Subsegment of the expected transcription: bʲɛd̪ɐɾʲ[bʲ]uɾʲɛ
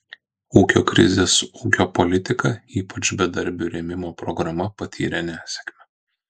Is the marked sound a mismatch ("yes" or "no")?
no